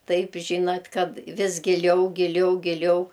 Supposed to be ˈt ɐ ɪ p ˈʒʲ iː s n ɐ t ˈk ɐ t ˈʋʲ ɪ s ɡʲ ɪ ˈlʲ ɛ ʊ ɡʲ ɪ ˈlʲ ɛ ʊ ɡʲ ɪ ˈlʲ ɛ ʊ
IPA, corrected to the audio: ˈt ɐ ɪ p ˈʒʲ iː n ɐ t ˈk ɐ t ˈʋʲ ɪ s ɡʲ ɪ ˈlʲ ɛ ʊ ɡʲ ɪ ˈlʲ ɛ ʊ ɡʲ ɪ ˈlʲ ɛ ʊ